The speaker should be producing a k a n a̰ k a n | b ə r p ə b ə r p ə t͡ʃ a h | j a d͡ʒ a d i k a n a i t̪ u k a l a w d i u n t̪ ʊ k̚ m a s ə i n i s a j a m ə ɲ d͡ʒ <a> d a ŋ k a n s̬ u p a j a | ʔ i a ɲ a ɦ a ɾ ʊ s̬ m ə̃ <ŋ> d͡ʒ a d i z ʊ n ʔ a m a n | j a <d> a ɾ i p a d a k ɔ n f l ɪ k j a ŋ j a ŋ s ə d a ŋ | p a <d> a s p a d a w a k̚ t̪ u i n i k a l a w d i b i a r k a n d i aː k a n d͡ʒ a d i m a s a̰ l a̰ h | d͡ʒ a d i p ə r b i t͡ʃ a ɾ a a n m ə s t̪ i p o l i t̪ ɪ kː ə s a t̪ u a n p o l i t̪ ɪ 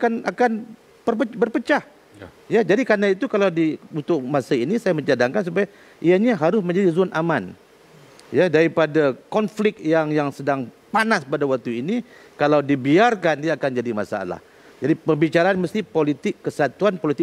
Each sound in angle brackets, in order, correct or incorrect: correct, incorrect, correct, incorrect

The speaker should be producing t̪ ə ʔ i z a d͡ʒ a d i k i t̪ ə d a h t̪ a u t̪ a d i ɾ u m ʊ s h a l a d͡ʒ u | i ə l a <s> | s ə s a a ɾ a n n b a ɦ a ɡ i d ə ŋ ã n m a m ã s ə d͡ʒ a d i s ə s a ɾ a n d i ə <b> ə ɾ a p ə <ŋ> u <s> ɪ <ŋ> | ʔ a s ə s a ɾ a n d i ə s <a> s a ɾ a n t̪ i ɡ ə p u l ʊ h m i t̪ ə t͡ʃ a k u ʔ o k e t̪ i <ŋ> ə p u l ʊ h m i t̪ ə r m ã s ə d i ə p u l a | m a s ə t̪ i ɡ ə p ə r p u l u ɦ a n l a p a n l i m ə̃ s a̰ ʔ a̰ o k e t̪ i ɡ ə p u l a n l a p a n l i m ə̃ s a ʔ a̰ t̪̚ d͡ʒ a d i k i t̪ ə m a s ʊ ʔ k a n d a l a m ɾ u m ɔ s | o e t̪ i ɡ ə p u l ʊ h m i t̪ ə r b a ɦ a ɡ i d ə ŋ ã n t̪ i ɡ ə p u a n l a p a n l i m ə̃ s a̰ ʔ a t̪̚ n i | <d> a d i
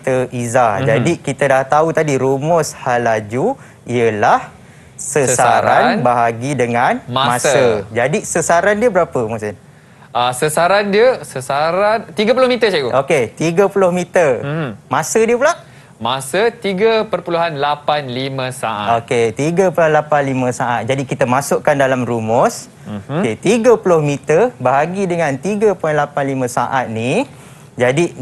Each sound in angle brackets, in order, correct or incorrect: incorrect, correct, incorrect, correct, incorrect, incorrect, incorrect, incorrect

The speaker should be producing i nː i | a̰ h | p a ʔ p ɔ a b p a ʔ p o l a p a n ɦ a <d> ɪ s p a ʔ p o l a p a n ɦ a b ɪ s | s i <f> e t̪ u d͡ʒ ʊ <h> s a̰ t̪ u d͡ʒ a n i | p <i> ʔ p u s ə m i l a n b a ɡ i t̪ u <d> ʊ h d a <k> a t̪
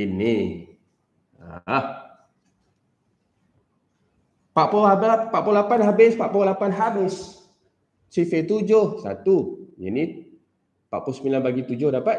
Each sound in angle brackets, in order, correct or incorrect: incorrect, correct, correct, incorrect, incorrect, incorrect

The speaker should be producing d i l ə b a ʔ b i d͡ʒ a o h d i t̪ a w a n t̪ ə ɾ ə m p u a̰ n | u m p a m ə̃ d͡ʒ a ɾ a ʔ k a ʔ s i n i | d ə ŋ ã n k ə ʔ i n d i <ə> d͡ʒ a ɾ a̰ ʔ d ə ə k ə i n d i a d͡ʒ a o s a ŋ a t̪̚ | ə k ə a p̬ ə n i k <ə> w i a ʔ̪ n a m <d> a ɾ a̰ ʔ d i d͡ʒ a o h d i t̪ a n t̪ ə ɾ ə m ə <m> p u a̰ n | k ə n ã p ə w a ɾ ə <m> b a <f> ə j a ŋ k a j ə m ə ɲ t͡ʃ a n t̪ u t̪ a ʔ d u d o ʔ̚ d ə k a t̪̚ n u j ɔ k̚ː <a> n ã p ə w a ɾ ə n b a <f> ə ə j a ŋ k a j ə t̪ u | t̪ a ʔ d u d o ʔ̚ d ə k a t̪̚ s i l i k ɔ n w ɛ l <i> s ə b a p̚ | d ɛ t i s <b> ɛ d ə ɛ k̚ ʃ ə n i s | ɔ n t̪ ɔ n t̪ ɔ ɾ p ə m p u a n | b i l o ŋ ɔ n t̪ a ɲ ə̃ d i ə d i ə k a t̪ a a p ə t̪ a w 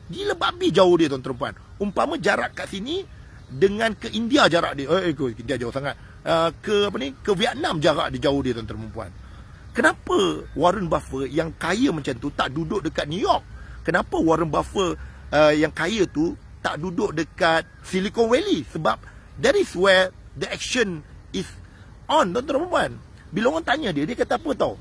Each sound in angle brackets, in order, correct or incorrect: incorrect, correct, incorrect, correct, incorrect, correct, incorrect, correct, correct, incorrect

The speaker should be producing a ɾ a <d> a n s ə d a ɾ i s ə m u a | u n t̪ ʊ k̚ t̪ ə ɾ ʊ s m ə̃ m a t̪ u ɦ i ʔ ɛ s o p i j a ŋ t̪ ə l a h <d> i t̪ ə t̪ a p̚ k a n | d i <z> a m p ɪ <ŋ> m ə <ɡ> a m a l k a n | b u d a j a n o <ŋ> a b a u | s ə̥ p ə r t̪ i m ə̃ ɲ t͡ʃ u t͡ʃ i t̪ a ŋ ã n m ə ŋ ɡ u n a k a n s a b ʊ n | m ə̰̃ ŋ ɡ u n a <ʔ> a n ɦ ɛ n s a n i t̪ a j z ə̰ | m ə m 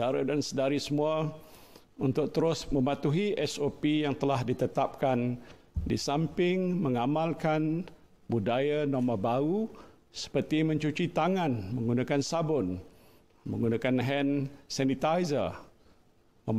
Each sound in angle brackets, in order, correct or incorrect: correct, correct, incorrect, correct, incorrect, incorrect, incorrect

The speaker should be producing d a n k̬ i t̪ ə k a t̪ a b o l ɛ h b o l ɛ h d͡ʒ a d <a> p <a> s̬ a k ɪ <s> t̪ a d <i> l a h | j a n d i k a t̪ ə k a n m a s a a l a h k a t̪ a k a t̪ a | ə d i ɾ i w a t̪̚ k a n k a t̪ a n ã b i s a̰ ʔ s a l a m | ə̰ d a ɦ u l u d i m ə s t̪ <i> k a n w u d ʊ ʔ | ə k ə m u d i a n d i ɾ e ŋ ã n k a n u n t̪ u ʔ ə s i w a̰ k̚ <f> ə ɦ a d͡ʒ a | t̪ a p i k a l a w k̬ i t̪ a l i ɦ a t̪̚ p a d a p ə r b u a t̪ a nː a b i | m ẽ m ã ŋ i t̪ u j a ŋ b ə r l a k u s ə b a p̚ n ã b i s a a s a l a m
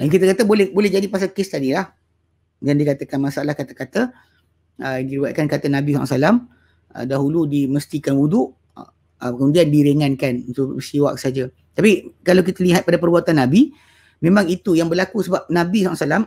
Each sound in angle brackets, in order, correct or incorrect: incorrect, correct, correct, correct, correct, incorrect

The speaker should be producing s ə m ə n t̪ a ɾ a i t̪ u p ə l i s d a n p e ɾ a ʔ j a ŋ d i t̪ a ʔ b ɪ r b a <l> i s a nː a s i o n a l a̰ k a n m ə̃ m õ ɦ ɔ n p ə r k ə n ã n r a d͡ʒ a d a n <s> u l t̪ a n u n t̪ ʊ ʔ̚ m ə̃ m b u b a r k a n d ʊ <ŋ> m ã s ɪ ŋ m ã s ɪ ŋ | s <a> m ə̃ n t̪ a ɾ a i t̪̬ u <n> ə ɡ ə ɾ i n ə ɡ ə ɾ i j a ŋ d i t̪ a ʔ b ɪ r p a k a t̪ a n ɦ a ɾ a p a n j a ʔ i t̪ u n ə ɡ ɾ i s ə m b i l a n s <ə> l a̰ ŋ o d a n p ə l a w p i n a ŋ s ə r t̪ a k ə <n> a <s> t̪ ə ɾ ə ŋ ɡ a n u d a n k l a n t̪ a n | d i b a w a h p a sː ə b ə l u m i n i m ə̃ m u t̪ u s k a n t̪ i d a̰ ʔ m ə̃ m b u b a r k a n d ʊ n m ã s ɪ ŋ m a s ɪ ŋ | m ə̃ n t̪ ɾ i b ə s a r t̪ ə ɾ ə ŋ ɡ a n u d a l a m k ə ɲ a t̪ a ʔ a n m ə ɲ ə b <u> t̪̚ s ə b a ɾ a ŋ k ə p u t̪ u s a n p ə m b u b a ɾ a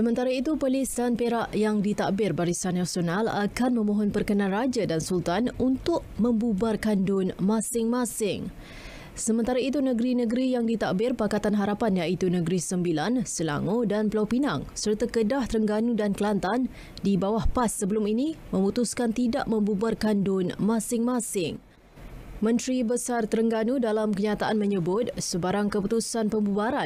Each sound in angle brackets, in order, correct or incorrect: incorrect, correct, incorrect, incorrect, correct, correct, incorrect, incorrect, incorrect

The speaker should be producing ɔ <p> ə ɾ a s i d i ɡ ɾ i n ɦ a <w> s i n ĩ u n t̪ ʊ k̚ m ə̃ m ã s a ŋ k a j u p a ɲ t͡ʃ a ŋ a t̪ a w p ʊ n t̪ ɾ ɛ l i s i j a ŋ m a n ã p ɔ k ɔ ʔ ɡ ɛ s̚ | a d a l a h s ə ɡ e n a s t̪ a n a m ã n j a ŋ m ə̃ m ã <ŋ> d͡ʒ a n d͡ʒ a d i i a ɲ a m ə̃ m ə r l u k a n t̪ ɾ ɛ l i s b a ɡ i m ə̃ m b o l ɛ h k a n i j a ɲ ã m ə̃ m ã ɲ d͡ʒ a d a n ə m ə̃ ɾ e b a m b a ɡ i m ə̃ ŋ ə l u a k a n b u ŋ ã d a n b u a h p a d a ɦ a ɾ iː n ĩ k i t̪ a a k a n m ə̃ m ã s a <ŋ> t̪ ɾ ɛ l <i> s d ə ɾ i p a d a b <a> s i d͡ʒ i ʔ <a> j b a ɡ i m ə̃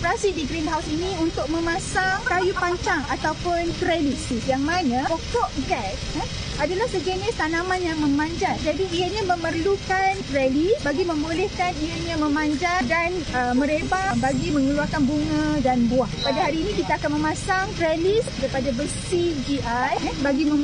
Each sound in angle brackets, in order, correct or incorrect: correct, correct, incorrect, correct, correct, incorrect, correct

